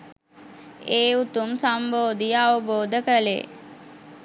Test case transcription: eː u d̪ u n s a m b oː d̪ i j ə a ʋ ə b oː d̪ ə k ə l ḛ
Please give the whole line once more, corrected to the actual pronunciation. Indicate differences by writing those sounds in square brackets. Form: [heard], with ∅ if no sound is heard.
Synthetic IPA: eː u [t̪] u [m] s a m b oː d̪ i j ə a ʋ ə b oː d̪ ə k ə l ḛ